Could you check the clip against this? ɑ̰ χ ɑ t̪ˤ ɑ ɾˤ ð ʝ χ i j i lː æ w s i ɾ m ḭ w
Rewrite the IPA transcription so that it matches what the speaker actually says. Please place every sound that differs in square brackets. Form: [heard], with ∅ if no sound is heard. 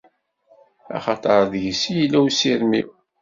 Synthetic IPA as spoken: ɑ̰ χ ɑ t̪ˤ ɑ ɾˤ ð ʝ [s] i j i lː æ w s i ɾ m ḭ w